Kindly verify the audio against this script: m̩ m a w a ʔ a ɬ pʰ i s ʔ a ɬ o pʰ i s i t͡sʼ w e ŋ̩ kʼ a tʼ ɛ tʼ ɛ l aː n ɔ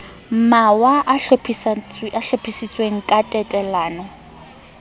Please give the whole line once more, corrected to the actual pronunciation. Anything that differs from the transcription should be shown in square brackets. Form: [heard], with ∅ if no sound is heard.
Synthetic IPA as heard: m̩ m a w a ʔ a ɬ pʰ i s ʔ a ɬ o pʰ i s i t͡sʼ w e ŋ̩ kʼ a tʼ ɛ tʼ ɛ l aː n ɔ